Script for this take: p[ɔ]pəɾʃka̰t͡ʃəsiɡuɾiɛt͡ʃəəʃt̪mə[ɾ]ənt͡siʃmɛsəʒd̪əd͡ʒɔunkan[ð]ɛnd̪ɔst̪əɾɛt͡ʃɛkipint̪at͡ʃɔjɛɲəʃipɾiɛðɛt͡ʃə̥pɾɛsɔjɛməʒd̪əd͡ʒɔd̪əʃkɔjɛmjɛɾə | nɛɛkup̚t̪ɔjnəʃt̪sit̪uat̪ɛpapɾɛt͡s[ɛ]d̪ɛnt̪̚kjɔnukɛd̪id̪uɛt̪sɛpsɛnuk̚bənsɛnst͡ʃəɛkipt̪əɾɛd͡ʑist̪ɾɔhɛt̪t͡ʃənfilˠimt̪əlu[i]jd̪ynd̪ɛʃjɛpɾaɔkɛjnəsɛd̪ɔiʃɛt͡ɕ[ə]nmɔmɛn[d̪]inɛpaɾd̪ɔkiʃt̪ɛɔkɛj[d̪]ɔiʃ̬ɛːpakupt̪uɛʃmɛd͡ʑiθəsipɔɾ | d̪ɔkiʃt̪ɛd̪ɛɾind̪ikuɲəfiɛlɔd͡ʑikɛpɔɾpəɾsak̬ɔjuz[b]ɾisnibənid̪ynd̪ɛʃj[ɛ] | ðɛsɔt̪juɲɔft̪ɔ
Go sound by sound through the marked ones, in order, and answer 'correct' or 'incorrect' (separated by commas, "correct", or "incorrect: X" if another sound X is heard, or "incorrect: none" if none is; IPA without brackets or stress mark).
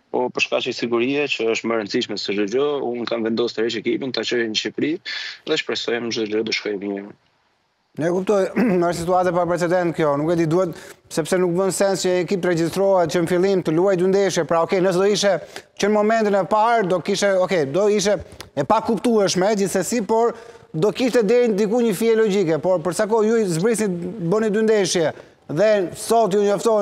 correct, correct, incorrect: v, correct, incorrect: a, correct, incorrect: t̪, correct, correct, correct